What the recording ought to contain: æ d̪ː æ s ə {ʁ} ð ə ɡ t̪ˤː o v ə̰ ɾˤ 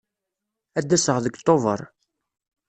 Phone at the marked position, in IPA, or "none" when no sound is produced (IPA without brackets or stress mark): ʁ